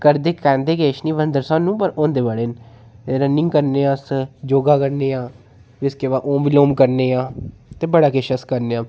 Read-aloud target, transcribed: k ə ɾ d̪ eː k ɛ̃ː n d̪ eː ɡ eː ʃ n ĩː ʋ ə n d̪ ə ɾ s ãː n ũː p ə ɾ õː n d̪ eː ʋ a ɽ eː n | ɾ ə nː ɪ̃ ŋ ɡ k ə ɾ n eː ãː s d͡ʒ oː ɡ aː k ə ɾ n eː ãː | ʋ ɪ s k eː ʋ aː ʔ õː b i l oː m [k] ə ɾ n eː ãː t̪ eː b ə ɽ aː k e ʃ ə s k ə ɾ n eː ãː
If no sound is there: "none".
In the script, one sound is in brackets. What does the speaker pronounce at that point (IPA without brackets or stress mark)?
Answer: k